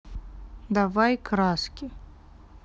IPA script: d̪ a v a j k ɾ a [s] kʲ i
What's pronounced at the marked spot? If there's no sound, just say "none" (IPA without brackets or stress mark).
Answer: s